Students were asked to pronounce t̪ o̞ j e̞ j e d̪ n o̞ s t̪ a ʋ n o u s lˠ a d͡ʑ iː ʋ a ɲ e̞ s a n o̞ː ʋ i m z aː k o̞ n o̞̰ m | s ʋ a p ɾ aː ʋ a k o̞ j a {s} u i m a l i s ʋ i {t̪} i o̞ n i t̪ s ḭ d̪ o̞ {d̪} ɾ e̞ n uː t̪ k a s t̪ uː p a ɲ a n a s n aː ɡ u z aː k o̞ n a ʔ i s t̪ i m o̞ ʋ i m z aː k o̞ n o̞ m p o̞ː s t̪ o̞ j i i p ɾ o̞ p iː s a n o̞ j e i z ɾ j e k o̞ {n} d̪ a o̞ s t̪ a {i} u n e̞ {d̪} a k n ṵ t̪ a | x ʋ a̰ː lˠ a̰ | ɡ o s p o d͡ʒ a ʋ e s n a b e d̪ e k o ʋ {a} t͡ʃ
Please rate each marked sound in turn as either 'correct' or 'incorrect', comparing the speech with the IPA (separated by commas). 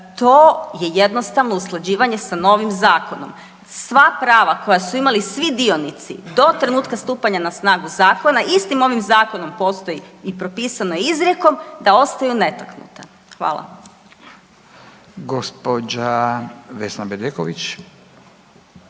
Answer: correct, incorrect, incorrect, incorrect, incorrect, incorrect, incorrect